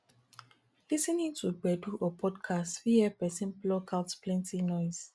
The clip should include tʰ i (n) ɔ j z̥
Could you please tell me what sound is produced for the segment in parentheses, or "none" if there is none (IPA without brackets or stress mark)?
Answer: n